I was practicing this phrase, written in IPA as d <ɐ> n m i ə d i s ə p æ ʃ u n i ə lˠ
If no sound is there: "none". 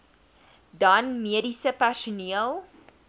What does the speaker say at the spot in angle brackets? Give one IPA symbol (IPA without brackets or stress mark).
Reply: ɐ